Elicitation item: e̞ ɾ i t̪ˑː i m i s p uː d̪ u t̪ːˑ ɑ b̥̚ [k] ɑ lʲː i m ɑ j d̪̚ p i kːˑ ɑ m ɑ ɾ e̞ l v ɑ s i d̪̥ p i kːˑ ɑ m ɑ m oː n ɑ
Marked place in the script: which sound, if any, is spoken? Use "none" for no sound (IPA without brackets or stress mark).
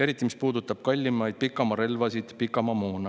k